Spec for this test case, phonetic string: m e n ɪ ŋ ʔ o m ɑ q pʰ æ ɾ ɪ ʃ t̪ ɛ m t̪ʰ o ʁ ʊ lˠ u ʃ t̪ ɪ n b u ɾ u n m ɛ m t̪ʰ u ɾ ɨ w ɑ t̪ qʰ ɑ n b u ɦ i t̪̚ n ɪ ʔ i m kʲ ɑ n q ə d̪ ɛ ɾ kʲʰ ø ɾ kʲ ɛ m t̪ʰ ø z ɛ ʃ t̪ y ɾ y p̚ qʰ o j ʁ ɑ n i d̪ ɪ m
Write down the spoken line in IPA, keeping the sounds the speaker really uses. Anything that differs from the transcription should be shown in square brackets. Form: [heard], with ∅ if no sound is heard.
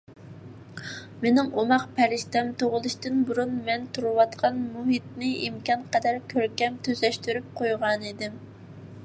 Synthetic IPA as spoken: m e n ɪ ŋ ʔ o m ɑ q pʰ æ ɾ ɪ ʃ t̪ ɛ m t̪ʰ o ʁ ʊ lˠ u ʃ t̪ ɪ n b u ɾ u n m ɛ [n] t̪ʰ u ɾ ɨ w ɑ t̪ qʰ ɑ n [m] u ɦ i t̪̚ n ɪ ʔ i m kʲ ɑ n q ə d̪ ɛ ɾ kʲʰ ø ɾ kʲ ɛ m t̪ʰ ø z ɛ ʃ t̪ y ɾ y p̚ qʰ o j ʁ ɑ n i d̪ ɪ m